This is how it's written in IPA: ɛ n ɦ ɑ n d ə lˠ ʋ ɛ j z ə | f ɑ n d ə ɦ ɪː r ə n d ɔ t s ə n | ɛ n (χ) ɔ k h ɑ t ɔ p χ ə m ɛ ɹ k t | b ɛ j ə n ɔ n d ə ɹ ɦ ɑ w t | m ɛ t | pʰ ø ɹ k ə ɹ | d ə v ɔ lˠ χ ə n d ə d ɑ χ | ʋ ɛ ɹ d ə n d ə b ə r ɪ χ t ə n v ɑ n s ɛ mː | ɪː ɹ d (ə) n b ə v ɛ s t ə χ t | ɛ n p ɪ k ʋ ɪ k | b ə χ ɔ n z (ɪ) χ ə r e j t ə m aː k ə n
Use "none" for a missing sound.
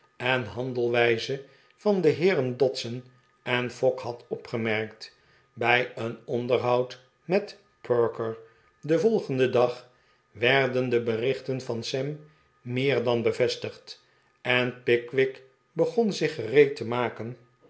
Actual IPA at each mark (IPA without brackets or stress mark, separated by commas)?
f, ɑ, ɪ